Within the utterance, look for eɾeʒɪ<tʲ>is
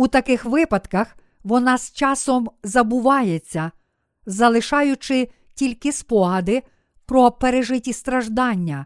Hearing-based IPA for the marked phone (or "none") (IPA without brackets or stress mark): tʲ